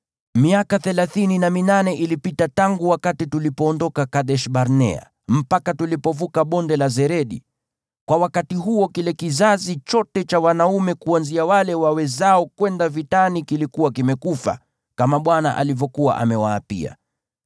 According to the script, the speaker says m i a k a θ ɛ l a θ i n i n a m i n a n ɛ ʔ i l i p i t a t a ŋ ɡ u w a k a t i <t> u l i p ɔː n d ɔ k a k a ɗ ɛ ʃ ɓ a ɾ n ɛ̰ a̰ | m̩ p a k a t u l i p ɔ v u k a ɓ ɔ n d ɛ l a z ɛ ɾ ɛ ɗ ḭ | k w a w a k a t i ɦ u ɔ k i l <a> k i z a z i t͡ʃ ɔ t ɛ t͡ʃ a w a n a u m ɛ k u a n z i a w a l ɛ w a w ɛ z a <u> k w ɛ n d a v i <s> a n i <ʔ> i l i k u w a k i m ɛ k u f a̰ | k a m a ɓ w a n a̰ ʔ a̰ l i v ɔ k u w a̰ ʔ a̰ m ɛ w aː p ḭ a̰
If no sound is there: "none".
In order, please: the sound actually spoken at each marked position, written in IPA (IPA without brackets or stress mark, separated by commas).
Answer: t, ɛ, ɔ, t, k